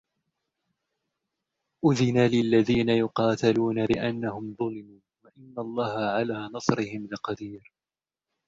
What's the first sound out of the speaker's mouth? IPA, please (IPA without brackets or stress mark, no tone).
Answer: ʔ